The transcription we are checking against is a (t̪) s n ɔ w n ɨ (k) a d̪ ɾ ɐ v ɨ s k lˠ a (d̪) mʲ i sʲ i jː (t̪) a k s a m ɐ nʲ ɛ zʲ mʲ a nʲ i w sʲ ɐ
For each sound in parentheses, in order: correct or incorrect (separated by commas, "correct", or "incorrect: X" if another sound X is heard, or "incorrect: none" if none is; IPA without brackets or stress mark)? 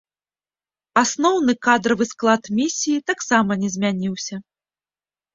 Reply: incorrect: none, correct, incorrect: t̪, correct